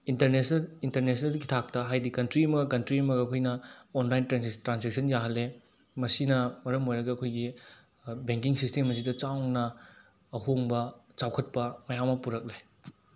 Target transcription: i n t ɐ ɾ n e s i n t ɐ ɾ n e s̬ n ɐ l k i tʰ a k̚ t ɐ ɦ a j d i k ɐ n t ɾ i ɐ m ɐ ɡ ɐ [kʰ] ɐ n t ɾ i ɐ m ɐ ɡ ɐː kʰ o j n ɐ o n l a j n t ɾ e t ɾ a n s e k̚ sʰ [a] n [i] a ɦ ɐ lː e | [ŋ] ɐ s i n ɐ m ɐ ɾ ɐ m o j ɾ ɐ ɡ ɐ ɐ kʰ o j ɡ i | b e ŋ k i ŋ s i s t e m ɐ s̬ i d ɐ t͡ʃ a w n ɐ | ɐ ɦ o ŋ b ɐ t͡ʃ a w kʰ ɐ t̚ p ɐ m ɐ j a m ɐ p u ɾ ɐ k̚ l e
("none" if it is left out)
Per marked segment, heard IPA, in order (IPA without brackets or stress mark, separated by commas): k, ɐ, j, m